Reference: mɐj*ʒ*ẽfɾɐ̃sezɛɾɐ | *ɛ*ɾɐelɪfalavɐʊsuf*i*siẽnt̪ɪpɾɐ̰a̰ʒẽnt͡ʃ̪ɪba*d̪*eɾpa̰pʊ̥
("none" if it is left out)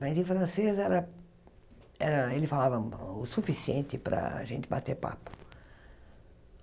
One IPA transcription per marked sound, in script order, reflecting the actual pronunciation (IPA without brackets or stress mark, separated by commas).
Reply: z, ɛ, i, t̪